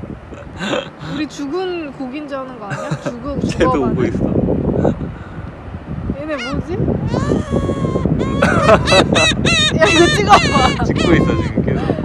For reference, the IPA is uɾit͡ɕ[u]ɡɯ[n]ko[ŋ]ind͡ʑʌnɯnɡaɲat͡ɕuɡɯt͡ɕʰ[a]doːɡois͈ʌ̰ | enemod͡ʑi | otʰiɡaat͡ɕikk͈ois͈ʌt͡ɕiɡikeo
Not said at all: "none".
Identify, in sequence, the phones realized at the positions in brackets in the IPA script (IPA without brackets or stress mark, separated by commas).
u, n, ɡ, e